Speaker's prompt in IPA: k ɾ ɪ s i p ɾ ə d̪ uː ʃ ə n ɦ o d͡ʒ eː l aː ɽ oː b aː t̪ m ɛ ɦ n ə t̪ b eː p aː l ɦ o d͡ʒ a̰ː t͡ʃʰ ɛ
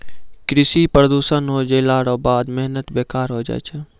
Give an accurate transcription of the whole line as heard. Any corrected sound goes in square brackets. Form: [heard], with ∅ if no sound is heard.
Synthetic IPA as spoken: k ɾ ɪ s i p ɾ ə d̪ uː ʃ ə n ɦ o d͡ʒ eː l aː ɽ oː b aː [d̪] m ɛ ɦ n ə t̪ b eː [k] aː [ɾ] ɦ o d͡ʒ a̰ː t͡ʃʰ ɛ

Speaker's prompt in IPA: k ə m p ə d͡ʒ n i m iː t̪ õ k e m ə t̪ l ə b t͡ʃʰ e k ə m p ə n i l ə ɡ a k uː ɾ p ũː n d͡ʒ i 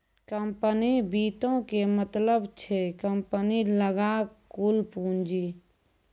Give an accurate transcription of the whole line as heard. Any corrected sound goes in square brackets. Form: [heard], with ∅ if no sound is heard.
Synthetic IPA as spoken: k ə m p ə [∅] n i [b] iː t̪ õ k e m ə t̪ l ə b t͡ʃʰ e k ə m p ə n i l ə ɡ a k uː [l] p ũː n d͡ʒ i

